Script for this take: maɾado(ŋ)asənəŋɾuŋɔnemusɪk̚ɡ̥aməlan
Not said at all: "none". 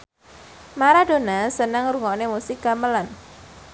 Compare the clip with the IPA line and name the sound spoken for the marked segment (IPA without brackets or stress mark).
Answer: n